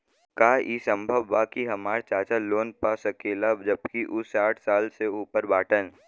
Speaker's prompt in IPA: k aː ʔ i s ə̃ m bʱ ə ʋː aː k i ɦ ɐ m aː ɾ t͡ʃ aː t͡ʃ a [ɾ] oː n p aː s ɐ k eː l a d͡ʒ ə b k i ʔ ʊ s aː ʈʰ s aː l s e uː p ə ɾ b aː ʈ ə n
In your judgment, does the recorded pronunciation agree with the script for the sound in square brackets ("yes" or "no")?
no